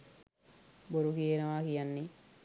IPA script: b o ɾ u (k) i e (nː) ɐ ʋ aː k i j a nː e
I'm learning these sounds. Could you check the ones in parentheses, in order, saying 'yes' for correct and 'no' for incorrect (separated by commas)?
yes, no